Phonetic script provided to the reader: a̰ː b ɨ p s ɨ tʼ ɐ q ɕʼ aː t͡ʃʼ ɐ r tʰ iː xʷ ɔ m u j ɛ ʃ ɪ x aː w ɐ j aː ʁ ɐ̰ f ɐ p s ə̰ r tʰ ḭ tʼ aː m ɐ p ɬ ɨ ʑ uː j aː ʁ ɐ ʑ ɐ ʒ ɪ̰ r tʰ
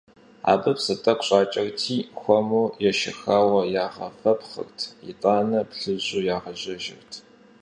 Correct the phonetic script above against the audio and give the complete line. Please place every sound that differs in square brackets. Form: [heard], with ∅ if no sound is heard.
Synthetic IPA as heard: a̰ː b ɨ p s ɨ tʼ ɐ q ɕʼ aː t͡ʃʼ ɐ r tʰ iː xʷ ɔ m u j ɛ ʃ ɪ x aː w ɐ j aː ʁ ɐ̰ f ɐ p [χ] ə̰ r tʰ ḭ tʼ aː [n] ɐ p ɬ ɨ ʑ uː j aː ʁ ɐ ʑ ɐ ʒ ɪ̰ r tʰ